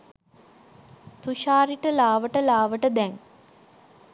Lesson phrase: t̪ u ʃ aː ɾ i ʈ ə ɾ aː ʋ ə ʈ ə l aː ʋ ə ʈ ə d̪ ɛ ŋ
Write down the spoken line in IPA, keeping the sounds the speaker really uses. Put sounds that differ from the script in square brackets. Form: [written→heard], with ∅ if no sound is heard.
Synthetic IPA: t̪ u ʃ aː ɾ i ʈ ə [ɾ→l] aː ʋ ə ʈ ə l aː ʋ ə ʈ ə d̪ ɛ ŋ

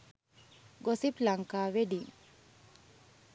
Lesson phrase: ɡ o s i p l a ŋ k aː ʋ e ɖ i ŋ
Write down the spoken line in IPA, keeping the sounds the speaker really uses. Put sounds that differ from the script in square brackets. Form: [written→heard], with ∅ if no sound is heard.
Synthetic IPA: ɡ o s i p l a ŋ k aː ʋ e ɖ i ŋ

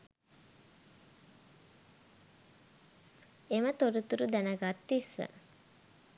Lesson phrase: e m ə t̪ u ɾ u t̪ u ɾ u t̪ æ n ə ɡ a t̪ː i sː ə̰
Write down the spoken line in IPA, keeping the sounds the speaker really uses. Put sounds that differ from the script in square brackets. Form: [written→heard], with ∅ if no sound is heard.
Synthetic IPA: e m ə t̪ [u→o] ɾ u t̪ u ɾ u [t̪→d̪] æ n ə ɡ a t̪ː i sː ə̰

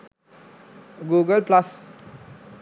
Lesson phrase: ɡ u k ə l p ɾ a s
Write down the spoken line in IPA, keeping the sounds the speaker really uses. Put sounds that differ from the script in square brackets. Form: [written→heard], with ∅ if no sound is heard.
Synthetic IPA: ɡ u [k→ɡ] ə l p [ɾ→l] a s

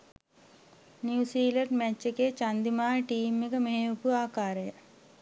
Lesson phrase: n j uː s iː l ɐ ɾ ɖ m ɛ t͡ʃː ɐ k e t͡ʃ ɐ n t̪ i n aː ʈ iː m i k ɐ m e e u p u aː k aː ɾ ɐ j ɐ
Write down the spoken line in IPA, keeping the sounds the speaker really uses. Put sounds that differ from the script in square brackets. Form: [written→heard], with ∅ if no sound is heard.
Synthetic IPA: n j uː s iː l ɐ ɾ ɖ m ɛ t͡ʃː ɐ k e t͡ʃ ɐ n [t̪→d̪] i [n→m] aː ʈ iː m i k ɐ m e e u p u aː k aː ɾ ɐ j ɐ

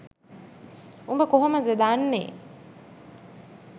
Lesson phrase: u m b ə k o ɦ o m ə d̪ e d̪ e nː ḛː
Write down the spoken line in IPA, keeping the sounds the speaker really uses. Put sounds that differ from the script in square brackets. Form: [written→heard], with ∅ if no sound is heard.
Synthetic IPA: u m b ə k o ɦ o m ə d̪ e d̪ [e→a] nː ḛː

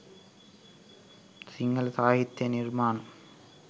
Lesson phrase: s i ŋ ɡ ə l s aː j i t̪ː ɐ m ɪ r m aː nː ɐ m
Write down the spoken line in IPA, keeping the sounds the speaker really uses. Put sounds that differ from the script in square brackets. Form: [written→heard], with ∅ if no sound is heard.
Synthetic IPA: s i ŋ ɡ [ə→ɐ] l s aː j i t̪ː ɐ [m→n] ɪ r m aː [nː→n] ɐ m

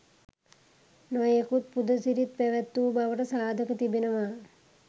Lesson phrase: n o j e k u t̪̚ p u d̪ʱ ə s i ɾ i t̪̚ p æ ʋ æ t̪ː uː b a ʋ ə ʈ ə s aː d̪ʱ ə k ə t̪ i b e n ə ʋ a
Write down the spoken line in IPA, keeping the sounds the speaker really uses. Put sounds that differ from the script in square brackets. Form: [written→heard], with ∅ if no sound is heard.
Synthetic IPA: n o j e k u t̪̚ p u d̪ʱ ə s i ɾ i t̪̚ p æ ʋ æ t̪ː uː b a ʋ ə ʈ ə s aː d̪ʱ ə k ə t̪ i b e n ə ʋ a

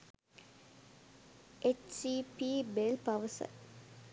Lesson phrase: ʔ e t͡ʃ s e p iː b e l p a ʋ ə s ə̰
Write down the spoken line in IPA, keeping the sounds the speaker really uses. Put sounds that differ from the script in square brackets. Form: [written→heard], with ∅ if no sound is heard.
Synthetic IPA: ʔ e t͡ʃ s [e→i] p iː b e l p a ʋ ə s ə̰

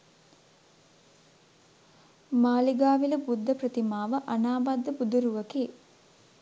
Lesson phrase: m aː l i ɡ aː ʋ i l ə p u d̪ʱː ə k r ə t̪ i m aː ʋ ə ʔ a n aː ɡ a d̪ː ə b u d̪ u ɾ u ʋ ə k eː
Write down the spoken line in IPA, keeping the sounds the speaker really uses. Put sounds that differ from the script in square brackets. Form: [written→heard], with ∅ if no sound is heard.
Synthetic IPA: m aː l i ɡ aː ʋ i l ə [p→b] u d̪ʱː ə [k→p] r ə t̪ i m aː ʋ ə ʔ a n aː [ɡ→b] a d̪ː ə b u d̪ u ɾ u ʋ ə k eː

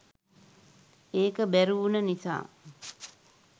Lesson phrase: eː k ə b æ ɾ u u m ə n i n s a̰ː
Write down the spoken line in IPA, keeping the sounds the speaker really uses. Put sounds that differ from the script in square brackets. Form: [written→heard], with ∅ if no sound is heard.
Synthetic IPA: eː k ə b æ ɾ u u [m→n] ə n i [n→∅] s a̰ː

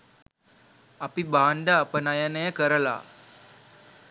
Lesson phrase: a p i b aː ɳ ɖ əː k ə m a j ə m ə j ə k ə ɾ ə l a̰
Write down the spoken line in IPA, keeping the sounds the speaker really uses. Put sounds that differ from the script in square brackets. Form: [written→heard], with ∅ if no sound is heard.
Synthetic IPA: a p i b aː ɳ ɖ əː [k→p] ə [m→n] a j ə [m→n] ə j ə k ə ɾ ə l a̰

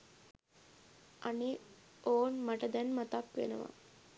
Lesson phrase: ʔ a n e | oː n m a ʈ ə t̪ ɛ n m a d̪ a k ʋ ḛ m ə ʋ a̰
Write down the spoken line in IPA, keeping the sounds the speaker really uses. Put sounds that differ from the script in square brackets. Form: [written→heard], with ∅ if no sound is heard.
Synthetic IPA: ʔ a n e | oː n m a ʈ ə [t̪→d̪] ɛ n m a [d̪→t̪] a k ʋ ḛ [m→n] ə ʋ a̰

